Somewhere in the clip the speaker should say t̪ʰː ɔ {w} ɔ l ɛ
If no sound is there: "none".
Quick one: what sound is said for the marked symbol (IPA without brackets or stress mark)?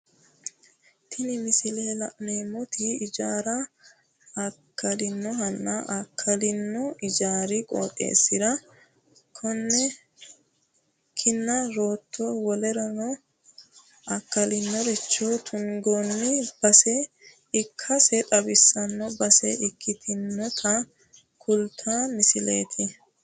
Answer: w